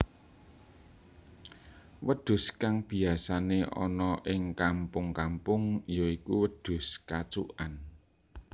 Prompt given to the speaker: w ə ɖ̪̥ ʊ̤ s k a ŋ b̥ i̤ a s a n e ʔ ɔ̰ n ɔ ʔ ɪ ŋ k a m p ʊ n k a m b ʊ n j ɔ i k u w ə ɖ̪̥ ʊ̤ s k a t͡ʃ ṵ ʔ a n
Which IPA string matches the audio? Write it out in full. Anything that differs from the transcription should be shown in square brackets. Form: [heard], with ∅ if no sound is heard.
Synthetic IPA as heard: w ə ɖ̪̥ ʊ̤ s k a ŋ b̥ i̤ a s a n e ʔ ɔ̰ n ɔ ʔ ɪ ŋ k a m p ʊ [ŋ] k a m [p] ʊ [ŋ] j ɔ i k u w ə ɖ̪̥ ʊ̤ s k a t͡ʃ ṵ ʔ a n